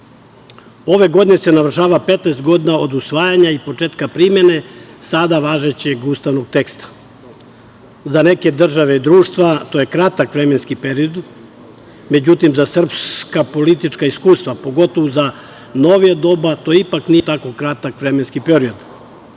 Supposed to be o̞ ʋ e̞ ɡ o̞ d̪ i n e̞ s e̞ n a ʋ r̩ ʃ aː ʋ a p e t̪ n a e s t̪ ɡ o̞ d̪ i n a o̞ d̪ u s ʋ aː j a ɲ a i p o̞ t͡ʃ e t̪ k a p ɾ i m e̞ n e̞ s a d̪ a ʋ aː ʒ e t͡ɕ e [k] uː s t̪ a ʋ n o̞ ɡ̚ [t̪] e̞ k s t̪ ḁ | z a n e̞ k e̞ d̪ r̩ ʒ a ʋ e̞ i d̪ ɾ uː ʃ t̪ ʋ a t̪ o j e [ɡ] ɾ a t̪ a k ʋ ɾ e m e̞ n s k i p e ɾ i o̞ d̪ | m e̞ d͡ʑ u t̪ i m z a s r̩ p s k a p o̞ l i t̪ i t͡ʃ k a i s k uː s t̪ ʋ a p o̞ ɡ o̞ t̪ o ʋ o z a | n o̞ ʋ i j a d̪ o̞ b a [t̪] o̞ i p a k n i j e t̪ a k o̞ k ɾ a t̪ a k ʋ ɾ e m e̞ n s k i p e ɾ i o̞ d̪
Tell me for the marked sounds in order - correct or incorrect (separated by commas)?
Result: incorrect, correct, incorrect, correct